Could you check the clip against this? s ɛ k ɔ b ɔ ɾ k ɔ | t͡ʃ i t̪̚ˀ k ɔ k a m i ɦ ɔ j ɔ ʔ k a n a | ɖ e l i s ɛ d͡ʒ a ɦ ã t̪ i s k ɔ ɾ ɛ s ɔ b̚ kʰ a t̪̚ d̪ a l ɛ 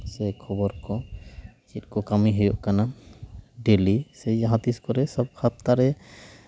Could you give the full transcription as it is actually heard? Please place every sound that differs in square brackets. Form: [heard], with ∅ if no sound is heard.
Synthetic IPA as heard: s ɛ [kʰ] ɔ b ɔ ɾ k ɔ | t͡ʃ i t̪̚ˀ k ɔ k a m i ɦ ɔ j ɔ ʔ k a n a | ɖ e l i s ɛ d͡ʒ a ɦ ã t̪ i s k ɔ ɾ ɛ s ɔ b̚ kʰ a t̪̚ [t̪] a [ɾ] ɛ